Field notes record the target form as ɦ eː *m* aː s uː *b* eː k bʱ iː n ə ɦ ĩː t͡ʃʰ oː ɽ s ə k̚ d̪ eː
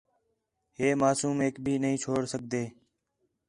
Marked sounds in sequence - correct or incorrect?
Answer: correct, incorrect: m

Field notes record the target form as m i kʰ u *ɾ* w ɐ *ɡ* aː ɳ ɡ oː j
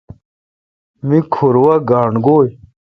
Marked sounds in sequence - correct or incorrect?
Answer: correct, correct

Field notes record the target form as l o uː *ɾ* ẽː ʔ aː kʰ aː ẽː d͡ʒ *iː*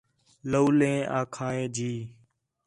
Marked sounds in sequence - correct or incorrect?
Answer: incorrect: l, correct

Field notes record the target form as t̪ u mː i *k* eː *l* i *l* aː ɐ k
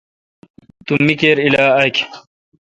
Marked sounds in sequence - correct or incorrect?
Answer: correct, incorrect: ɾ, correct

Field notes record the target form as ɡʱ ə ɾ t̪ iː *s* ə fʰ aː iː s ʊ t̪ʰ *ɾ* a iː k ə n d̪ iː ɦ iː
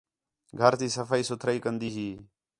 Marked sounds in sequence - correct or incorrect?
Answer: correct, correct

